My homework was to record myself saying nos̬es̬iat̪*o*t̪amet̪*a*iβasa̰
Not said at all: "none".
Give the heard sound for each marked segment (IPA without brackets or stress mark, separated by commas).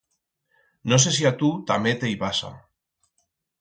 u, e